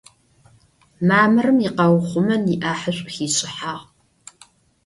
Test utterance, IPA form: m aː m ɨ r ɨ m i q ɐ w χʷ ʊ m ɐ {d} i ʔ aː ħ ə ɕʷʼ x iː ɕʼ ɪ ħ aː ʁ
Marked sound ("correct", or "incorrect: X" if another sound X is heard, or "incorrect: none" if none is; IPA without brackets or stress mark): incorrect: n